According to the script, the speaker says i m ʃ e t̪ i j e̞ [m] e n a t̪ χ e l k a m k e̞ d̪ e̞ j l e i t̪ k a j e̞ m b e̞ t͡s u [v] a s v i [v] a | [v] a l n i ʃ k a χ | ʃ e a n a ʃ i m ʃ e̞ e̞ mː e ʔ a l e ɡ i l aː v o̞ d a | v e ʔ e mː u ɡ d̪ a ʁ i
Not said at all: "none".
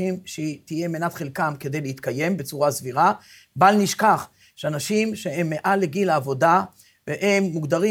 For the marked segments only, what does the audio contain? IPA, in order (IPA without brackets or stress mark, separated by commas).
m, ʁ, ʁ, b